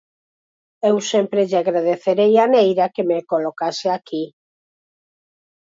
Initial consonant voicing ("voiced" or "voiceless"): voiced